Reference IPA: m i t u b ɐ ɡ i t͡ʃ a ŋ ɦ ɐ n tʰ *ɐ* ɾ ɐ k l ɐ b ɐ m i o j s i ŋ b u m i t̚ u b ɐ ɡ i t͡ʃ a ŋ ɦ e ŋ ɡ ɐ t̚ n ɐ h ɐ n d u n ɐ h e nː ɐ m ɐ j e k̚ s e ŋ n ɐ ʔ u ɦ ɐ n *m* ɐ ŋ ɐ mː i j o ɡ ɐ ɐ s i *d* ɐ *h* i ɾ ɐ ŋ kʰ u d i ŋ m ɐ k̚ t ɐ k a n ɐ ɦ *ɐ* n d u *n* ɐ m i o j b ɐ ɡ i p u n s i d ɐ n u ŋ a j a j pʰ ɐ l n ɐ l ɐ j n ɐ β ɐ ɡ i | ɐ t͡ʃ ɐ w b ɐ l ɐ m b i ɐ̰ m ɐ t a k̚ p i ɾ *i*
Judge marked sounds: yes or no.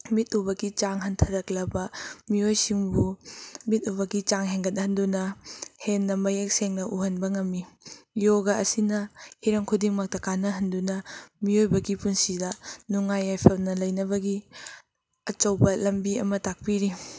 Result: yes, no, no, yes, yes, yes, yes

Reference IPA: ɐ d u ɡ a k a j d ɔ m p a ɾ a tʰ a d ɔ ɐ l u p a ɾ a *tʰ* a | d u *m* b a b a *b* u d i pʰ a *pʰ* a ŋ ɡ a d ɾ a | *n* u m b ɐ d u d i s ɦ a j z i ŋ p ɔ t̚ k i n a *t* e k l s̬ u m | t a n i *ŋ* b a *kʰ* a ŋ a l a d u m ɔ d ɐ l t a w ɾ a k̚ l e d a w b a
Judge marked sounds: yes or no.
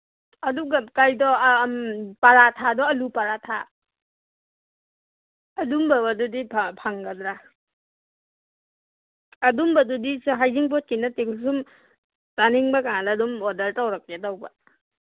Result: yes, yes, no, yes, no, yes, yes, no

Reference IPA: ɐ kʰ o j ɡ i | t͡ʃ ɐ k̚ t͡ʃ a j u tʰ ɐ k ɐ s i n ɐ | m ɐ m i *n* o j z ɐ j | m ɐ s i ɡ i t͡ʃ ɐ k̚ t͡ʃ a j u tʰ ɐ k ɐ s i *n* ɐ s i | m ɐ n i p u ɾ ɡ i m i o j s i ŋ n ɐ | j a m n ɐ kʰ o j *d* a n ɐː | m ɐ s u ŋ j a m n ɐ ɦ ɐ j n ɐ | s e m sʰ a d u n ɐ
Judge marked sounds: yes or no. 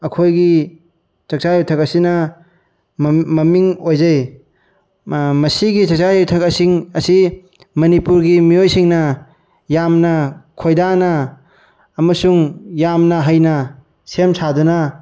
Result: no, no, yes

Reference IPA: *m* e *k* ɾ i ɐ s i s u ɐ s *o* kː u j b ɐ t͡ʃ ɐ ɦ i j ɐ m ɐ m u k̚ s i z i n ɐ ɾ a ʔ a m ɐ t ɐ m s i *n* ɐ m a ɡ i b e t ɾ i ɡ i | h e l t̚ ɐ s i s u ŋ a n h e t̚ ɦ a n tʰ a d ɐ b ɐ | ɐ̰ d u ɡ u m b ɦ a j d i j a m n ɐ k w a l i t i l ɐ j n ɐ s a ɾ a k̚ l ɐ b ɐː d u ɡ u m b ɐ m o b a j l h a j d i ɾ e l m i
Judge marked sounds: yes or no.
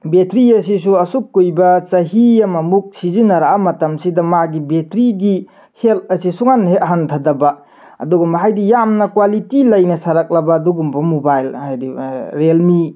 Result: no, no, no, no

